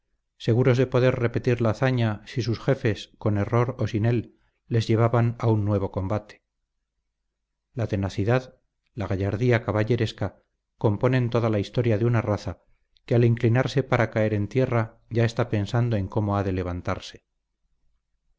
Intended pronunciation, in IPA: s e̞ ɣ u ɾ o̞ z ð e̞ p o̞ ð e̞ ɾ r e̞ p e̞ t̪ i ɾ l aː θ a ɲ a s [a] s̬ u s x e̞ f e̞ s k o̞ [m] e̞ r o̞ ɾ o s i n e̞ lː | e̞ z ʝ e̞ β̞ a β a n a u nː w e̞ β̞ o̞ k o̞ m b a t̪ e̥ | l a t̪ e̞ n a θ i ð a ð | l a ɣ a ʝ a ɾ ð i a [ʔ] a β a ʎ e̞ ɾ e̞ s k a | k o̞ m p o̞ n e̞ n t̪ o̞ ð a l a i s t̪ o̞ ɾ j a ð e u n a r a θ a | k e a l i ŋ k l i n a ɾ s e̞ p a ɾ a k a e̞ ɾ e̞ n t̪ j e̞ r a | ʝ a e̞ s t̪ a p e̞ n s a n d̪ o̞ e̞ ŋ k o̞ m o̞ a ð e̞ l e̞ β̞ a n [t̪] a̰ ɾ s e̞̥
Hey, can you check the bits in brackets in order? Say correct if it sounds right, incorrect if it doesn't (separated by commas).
incorrect, incorrect, incorrect, correct